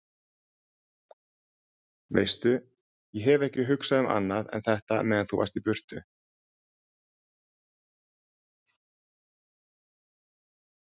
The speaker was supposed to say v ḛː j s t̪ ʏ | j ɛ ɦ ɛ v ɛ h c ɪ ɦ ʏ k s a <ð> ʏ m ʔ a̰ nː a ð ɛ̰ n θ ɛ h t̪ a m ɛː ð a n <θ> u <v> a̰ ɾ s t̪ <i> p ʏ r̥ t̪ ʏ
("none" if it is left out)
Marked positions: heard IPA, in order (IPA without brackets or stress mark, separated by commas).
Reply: ð, θ, v, i